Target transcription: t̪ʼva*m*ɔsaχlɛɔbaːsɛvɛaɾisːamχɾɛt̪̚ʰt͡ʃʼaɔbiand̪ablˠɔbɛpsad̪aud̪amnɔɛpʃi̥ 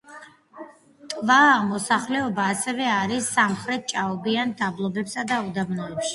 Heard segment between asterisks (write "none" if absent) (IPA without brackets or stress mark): m